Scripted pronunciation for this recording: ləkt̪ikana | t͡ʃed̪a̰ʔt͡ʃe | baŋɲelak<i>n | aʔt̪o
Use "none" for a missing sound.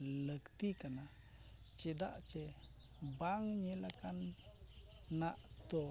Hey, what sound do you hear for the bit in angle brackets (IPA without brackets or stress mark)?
a